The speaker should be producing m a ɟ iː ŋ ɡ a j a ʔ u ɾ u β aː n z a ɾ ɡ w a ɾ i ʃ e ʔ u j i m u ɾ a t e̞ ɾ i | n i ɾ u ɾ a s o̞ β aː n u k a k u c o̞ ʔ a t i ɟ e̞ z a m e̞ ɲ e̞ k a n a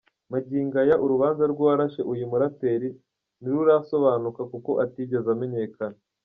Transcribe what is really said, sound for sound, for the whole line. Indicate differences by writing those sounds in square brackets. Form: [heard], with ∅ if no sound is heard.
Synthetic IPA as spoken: m a ɟ iː ŋ ɡ a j a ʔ u ɾ u β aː n z a ɾ ɡ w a ɾ [a] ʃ e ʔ u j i m u ɾ a t e̞ ɾ i | n i ɾ u ɾ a s o̞ β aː n u k a k u [k] o̞ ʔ a t i ɟ e̞ z a m e̞ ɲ e̞ k a n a